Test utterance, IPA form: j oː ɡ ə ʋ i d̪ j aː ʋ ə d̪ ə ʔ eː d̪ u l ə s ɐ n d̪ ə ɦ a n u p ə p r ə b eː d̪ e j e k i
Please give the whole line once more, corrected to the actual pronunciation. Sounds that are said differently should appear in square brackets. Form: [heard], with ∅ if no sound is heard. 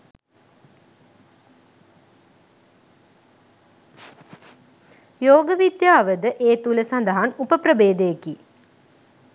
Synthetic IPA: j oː ɡ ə ʋ i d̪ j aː ʋ ə d̪ ə ʔ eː [t̪] u l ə s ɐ n d̪ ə ɦ a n u p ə p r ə b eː d̪ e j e k i